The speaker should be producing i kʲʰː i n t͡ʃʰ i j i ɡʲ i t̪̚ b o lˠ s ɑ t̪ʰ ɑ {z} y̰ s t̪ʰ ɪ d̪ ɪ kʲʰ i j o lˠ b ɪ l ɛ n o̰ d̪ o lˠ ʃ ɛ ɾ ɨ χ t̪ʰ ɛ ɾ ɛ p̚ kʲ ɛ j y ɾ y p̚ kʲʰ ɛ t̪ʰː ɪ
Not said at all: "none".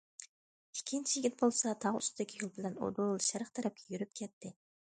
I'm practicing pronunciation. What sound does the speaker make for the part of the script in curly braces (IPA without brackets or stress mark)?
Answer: ʁ